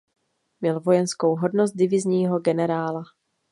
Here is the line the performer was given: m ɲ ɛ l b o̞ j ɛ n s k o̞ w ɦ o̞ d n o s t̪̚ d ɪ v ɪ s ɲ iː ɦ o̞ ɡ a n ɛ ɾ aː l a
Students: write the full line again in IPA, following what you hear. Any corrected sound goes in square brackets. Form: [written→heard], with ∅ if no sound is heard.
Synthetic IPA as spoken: m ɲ ɛ l [b→v] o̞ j ɛ n s k o̞ w ɦ o̞ d n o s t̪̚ d ɪ v ɪ [s→z] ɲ iː ɦ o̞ ɡ [a→ɛ] n ɛ ɾ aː l a